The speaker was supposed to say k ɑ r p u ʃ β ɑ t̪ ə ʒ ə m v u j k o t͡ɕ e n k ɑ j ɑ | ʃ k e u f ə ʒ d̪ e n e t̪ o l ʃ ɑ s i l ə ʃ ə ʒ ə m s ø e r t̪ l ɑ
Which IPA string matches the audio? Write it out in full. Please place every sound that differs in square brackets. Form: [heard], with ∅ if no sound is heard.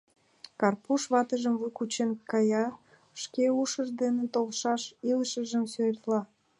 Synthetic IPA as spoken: k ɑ r p u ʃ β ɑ t̪ ə ʒ ə m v u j k [u] t͡ɕ e n k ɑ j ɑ | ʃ k e u [ʃ] ə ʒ d̪ e n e t̪ o l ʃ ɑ [ʃ] i l ə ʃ ə ʒ ə m s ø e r t̪ l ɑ